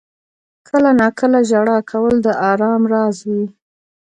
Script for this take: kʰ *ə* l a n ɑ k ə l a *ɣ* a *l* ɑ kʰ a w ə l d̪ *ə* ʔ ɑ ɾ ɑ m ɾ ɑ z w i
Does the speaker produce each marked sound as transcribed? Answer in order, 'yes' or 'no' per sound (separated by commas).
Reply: yes, no, no, yes